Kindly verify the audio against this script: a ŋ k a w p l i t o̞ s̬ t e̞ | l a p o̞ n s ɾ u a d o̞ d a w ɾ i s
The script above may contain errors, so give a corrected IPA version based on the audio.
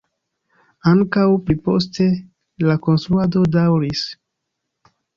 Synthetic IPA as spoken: a ŋ k a w p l i p o̞ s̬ t e̞ | l a k o̞ n s ɾ u a d o̞ d a w ɾ i s